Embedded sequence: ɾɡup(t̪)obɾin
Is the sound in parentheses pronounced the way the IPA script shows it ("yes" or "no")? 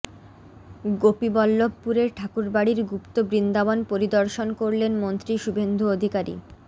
yes